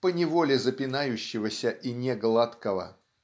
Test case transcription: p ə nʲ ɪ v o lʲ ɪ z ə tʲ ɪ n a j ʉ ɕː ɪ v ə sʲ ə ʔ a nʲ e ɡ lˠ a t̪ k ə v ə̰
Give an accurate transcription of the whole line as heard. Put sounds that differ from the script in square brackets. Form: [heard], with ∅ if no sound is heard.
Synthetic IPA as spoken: p ə nʲ ɪ v o lʲ ɪ z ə [pʲ] ɪ n a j ʉ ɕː ɪ v ə sʲ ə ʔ [i] nʲ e ɡ lˠ a t̪ k ə v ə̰